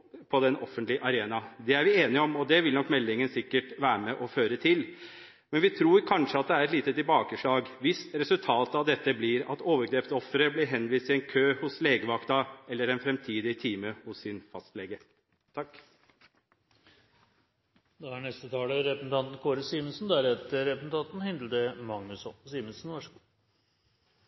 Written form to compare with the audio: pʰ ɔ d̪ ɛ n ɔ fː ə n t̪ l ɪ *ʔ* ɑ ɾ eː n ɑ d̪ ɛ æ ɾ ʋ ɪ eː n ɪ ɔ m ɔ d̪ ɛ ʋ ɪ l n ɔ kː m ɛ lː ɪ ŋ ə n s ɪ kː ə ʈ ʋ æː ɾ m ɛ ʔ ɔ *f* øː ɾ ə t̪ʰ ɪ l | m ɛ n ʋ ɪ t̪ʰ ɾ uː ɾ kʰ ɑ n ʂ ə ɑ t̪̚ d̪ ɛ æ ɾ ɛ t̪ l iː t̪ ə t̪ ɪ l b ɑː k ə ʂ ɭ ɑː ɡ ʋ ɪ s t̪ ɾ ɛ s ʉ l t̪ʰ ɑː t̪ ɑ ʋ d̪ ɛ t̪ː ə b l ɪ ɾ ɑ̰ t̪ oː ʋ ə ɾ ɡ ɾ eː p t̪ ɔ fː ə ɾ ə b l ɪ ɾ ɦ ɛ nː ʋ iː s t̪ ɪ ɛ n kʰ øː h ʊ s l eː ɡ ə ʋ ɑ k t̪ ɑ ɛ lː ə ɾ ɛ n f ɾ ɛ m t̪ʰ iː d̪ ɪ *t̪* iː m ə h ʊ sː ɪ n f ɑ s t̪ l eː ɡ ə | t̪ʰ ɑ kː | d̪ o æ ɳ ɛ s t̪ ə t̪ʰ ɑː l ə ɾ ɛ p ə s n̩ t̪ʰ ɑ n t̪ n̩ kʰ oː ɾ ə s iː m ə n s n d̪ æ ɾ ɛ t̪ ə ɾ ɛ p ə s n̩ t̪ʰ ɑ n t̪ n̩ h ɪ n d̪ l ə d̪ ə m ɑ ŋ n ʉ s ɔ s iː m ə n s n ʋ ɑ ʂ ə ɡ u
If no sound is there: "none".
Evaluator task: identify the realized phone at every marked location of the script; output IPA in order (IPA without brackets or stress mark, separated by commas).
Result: ʔ, f, t̪ʰ